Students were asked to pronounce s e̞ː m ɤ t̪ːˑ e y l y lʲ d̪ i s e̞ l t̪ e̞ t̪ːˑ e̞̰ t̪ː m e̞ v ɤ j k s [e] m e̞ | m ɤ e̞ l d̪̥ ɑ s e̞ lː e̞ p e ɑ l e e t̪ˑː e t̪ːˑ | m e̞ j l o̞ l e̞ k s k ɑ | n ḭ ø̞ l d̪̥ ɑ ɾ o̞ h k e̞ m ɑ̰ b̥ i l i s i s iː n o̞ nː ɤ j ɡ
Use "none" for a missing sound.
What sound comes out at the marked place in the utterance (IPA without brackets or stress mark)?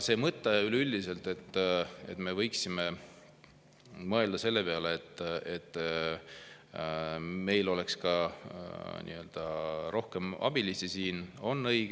i